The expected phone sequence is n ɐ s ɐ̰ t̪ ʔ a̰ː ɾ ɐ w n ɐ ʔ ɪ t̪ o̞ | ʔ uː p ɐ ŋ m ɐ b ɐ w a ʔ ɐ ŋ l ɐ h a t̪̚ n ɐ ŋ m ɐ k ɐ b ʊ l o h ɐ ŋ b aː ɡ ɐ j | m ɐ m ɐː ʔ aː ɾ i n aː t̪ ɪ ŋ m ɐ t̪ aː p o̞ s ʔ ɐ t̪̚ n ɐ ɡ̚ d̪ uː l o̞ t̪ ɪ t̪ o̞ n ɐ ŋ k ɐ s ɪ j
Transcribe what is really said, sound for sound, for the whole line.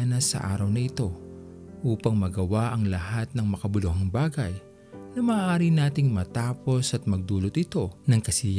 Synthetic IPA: n ɐ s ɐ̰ ʔ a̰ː ɾ ɐ w n ɐ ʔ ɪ t̪ o̞ | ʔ uː p ɐ ŋ m ɐ ɡ ɐ w a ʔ ɐ ŋ l ɐ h a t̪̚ n ɐ ŋ m ɐ k ɐ b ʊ l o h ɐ ŋ b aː ɡ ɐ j | n ɐ m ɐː ʔ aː ɾ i n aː t̪ ɪ ŋ m ɐ t̪ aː p o̞ s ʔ ɐ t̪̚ m ɐ ɡ̚ d̪ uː l o̞ t̪ ɪ t̪ o̞ n ɐ ŋ k ɐ s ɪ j